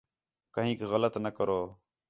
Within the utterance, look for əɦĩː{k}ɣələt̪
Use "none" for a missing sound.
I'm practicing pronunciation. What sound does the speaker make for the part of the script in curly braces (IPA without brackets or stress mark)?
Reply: k